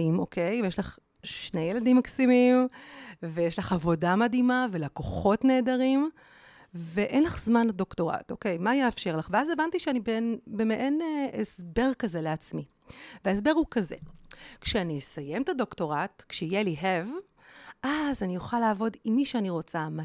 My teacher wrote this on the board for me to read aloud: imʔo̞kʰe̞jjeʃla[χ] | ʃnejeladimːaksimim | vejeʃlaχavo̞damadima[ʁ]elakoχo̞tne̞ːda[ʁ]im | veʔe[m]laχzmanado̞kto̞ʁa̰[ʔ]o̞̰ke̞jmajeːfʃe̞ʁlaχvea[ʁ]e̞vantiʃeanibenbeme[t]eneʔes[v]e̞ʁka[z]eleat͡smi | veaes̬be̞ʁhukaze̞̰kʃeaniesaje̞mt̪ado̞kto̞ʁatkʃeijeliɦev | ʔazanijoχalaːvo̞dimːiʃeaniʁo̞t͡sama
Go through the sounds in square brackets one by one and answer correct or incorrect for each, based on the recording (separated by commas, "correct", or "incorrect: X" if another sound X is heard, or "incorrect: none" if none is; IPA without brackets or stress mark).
correct, incorrect: v, correct, incorrect: n, incorrect: t, incorrect: z, incorrect: ʔ, incorrect: b, correct